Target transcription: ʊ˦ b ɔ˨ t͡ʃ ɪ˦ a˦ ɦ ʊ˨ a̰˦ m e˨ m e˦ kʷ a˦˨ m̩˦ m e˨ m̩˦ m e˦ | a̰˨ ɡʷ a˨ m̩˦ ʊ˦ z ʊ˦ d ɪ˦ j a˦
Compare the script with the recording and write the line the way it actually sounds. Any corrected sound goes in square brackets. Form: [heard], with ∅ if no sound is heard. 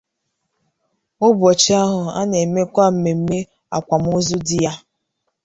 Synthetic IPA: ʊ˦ b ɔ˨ t͡ʃ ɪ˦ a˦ ɦ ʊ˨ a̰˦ [n] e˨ m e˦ kʷ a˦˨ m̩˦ m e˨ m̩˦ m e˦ | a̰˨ [kʷ] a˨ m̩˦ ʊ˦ z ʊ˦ d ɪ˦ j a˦